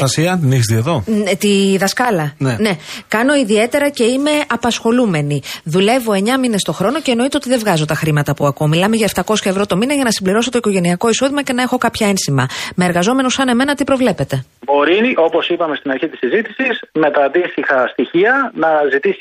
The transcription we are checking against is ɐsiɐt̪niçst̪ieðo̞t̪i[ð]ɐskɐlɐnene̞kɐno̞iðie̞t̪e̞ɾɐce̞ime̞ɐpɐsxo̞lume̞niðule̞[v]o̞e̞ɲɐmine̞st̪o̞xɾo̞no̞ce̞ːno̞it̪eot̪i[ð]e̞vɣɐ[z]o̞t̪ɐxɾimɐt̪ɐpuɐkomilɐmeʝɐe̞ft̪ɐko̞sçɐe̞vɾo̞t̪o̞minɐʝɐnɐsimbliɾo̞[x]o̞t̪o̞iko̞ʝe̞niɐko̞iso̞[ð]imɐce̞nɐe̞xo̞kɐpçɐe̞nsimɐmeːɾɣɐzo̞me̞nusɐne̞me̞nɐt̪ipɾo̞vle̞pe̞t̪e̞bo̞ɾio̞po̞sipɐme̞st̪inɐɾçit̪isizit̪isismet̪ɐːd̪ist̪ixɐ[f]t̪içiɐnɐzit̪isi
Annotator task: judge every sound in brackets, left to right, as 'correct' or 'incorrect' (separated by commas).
correct, correct, correct, correct, incorrect, correct, incorrect